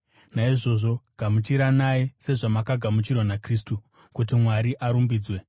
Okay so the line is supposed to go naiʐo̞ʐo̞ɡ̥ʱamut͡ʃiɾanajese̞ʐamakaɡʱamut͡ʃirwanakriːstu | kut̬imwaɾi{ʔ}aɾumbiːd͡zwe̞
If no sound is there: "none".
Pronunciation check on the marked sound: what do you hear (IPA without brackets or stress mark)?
ʔ